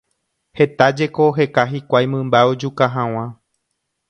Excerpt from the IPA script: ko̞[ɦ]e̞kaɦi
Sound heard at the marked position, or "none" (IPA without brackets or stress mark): ɦ